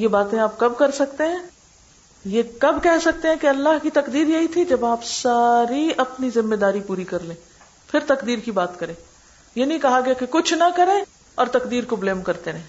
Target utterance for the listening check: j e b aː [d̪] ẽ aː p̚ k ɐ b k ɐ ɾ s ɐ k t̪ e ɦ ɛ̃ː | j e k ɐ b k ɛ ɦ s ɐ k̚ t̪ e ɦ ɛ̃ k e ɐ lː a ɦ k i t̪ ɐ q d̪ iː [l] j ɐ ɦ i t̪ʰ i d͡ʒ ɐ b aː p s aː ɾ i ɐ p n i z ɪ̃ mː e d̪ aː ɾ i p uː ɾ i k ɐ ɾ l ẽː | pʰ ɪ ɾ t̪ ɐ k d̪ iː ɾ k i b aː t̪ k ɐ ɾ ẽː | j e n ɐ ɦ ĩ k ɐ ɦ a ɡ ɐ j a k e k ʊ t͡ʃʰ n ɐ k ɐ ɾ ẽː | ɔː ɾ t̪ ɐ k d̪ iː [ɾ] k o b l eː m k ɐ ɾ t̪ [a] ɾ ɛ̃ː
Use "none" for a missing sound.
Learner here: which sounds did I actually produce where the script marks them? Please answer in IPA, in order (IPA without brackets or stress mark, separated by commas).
t̪, ɾ, ɾ, e